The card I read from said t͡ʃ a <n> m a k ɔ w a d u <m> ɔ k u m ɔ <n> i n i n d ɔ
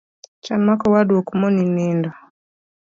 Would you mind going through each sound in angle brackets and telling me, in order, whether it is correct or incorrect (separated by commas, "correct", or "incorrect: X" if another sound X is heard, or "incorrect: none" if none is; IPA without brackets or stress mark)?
correct, incorrect: none, correct